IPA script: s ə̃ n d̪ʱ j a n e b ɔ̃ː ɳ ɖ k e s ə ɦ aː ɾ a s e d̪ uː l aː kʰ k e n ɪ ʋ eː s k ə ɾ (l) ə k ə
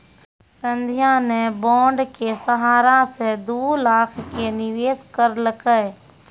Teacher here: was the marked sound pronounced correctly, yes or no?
yes